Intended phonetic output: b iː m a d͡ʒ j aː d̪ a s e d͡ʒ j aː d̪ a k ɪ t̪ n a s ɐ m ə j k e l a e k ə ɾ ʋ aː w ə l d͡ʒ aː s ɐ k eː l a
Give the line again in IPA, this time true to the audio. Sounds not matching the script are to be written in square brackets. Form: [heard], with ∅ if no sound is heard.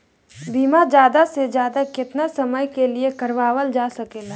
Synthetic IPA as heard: b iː m a d͡ʒ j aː d̪ a s e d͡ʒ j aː d̪ a k ɪ t̪ n a s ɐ m ə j k e l [i] e k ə ɾ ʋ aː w ə l d͡ʒ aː s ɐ k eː l a